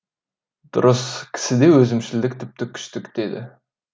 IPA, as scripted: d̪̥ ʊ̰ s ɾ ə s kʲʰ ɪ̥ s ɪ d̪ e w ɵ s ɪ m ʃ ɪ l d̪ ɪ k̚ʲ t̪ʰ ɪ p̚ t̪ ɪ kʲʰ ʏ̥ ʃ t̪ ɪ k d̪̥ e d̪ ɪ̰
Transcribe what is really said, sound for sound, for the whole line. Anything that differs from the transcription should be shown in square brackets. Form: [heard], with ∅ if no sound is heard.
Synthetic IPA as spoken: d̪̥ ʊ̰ [∅] ɾ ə s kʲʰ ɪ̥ s ɪ d̪ e w ɵ [z] ɪ m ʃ ɪ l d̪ ɪ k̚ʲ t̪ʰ ɪ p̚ t̪ ɪ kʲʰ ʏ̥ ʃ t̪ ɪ k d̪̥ e d̪ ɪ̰